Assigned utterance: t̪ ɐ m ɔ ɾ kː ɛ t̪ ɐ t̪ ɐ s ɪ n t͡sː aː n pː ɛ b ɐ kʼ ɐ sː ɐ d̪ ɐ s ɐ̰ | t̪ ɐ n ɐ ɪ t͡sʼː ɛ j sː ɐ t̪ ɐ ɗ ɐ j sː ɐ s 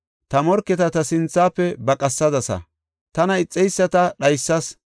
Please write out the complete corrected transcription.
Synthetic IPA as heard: t̪ ɐ m ɔ ɾ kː ɛ t̪ ɐ t̪ ɐ s ɪ n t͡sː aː pː ɛ b ɐ kʼ ɐ sː ɐ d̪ ɐ s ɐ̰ | t̪ ɐ n ɐ ɪ t͡sʼː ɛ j sː ɐ t̪ ɐ ɗ ɐ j sː ɐ s